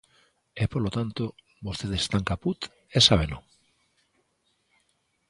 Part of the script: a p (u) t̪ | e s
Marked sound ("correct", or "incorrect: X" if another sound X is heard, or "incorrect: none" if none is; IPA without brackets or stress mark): correct